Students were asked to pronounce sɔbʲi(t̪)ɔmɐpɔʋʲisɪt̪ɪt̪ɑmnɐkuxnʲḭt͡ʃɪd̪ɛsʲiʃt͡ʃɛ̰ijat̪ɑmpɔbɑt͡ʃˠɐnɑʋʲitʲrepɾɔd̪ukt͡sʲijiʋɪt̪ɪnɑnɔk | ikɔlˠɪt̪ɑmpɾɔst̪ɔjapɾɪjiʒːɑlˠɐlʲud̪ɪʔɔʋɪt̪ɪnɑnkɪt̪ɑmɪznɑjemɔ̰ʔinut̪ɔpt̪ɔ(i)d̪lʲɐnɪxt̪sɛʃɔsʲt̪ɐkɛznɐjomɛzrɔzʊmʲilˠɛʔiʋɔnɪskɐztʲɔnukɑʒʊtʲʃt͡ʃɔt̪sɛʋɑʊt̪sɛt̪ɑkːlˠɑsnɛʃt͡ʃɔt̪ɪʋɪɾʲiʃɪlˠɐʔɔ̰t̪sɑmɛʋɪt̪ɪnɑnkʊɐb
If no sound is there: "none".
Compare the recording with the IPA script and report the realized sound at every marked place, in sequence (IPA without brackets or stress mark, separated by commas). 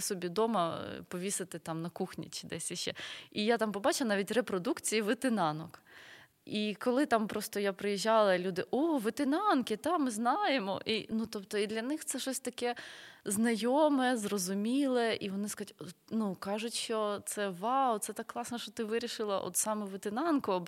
d̪, i